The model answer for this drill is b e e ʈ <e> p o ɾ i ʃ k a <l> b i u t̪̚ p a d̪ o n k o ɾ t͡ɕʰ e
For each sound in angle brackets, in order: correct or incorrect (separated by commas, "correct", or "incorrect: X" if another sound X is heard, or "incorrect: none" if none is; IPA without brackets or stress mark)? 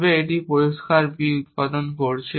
incorrect: i, incorrect: ɾ